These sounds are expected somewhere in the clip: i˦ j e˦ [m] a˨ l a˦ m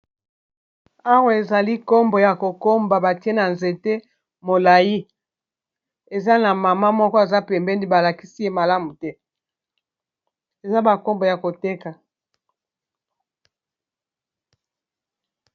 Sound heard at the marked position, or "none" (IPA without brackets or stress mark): m